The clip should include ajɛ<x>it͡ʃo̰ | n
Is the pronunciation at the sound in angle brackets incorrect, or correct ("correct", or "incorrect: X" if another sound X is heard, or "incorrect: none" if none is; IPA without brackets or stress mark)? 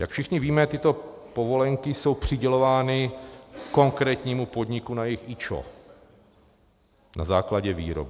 correct